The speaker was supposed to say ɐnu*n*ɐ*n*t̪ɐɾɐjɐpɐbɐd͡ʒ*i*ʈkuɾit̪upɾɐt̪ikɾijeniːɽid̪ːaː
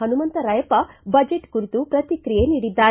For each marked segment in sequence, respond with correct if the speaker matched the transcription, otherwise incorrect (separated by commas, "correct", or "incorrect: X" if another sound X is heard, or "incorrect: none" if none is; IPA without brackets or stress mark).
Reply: incorrect: m, correct, incorrect: e